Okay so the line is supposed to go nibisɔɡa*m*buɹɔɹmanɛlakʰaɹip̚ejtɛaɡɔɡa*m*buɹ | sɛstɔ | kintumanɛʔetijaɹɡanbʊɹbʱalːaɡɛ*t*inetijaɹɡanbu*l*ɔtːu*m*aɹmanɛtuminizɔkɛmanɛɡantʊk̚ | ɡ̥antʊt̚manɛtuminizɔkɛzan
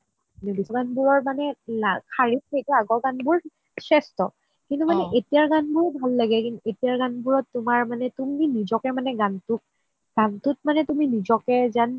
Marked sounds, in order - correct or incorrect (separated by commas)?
incorrect, incorrect, incorrect, incorrect, correct